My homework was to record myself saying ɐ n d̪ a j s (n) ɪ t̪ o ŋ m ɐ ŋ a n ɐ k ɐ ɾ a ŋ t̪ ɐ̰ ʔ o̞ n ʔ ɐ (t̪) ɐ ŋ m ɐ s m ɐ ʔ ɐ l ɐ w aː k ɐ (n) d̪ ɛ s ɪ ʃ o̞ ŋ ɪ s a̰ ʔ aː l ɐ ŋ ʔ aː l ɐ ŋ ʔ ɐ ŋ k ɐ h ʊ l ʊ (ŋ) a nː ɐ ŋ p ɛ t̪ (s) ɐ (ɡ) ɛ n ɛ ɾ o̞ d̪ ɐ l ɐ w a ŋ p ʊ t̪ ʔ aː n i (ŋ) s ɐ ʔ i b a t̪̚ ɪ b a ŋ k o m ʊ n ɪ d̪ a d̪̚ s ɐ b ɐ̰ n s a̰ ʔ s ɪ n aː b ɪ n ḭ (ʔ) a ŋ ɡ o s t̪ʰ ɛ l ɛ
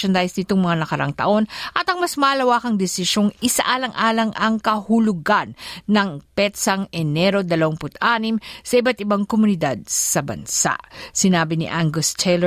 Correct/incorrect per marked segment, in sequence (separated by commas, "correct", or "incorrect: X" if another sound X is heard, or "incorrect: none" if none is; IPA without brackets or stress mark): correct, correct, incorrect: ŋ, incorrect: ɡ, correct, incorrect: ŋ, incorrect: m, correct